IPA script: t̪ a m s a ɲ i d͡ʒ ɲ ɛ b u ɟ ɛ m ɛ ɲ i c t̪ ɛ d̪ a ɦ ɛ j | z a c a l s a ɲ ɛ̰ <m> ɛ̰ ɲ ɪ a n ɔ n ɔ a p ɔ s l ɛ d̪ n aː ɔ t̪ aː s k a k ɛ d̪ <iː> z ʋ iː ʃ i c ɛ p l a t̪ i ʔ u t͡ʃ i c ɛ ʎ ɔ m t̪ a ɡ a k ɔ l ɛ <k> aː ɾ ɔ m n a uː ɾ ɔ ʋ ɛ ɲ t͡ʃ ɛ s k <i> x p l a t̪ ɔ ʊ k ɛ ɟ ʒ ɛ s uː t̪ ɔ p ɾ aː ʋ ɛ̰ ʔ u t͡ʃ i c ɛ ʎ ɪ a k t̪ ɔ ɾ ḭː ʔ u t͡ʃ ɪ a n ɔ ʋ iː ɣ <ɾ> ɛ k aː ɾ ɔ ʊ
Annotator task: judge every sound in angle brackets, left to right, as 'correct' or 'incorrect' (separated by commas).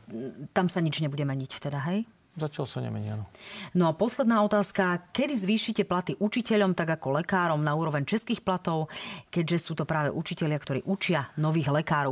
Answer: correct, incorrect, correct, incorrect, incorrect